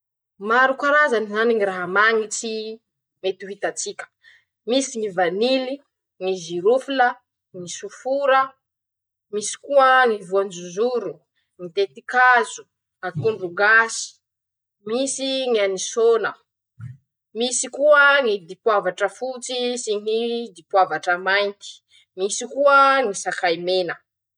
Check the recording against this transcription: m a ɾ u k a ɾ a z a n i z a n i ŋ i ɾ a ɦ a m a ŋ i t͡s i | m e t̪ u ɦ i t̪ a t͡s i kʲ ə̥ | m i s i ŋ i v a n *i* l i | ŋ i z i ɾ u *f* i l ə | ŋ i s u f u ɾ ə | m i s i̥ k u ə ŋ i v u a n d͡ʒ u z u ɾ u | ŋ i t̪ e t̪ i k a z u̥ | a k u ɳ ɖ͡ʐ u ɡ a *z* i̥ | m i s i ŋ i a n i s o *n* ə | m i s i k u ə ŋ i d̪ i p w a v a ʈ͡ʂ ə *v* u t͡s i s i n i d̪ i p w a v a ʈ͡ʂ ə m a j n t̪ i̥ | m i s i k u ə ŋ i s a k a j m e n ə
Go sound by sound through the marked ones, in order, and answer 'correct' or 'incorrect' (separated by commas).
correct, correct, incorrect, correct, incorrect